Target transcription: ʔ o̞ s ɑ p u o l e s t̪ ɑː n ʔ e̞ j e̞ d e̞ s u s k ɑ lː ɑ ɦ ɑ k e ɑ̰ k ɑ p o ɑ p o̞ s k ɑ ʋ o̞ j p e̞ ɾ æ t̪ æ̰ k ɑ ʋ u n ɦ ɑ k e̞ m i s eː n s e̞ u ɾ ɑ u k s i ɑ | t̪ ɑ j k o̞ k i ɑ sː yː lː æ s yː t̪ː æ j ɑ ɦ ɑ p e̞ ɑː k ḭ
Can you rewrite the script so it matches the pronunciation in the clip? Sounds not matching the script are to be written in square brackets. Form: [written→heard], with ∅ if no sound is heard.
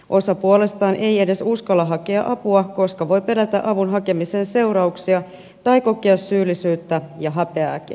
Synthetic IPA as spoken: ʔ o̞ s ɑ p u o l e s t̪ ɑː n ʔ e̞ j e̞ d e̞ s u s k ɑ lː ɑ ɦ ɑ k e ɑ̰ [k→ʔ] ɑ p [o→u] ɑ [p→k] o̞ s k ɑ ʋ o̞ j p e̞ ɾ æ t̪ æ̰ [k→ʔ] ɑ ʋ u n ɦ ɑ k e̞ m i s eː n s e̞ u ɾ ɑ u k s i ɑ | t̪ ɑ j k o̞ k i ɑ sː yː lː [æ→i] s yː t̪ː æ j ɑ ɦ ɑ p e̞ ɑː k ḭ